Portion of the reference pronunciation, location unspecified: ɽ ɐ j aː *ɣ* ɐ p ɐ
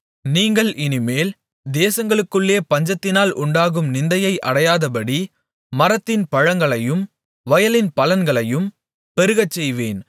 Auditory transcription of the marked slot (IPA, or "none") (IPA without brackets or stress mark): ð